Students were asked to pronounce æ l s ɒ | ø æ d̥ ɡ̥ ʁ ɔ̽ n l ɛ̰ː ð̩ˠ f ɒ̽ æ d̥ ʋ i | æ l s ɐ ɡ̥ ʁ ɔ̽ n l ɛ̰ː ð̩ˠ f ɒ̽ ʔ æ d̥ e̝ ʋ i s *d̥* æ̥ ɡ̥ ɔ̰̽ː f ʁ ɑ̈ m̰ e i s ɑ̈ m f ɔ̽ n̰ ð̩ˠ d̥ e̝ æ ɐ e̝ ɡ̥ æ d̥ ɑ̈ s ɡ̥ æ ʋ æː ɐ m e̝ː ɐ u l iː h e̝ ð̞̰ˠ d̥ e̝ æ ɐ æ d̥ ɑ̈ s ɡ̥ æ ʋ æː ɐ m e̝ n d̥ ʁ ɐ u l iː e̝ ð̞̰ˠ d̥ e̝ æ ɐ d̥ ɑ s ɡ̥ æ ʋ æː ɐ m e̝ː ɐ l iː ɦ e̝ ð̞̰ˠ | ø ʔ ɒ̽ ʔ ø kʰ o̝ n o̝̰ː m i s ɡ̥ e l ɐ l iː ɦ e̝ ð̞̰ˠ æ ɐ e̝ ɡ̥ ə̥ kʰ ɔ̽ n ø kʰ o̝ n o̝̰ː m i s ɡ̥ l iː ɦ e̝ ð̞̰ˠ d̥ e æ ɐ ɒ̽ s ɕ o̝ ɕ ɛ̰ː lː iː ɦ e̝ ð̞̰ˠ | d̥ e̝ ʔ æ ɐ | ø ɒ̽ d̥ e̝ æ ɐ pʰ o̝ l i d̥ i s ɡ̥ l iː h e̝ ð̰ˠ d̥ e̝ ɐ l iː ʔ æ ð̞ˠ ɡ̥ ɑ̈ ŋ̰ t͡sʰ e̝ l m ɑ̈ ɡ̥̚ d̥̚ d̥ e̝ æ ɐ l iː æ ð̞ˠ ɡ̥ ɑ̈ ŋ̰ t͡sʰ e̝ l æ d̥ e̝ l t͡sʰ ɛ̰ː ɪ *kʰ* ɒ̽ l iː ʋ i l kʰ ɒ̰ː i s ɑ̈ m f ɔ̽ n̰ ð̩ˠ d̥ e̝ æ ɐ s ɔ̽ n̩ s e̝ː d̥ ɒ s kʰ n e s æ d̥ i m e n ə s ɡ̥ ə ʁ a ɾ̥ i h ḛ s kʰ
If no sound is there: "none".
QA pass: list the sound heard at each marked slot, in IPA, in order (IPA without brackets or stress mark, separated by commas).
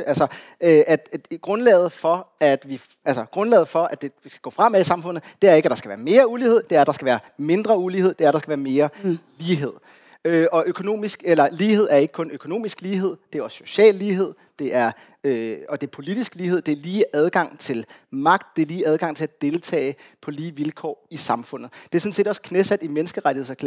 ɡ̥, pʰ